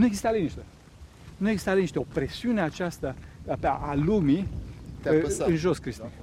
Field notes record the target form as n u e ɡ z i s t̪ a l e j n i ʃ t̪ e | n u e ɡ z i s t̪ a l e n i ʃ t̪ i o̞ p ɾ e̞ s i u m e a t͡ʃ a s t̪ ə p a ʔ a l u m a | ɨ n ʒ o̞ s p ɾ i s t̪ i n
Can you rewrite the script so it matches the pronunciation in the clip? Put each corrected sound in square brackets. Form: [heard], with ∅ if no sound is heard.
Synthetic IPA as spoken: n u e ɡ z i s t̪ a l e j n i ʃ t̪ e | n u e ɡ z i s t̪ a l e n i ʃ t̪ [e] o̞ p ɾ e̞ s i u [n] e a t͡ʃ a s t̪ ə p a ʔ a l u m [i] | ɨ n ʒ o̞ s [k] ɾ i s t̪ i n